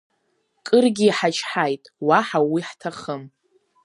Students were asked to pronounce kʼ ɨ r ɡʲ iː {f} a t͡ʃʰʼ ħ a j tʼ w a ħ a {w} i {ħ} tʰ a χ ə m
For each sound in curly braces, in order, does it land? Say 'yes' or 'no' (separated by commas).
no, yes, yes